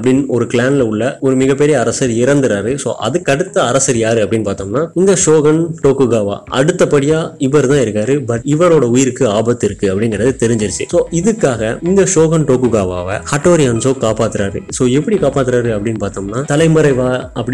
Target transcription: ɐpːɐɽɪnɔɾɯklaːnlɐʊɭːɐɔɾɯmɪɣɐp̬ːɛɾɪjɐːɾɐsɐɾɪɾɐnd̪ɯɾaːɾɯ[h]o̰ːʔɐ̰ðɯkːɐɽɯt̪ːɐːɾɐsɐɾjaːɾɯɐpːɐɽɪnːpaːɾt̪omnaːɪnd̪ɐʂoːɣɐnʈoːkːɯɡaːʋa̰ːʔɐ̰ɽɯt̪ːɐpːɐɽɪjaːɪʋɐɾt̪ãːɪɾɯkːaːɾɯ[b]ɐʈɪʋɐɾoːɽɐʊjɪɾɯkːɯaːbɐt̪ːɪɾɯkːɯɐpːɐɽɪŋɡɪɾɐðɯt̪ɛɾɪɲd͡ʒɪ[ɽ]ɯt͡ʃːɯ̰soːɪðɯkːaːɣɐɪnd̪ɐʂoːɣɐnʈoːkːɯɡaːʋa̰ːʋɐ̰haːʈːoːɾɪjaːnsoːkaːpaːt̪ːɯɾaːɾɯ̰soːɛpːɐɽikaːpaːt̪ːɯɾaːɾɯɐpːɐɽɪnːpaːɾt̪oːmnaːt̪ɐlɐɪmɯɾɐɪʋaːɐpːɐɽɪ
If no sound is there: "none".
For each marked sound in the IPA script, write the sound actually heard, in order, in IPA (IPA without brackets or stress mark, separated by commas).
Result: s, b, ɾ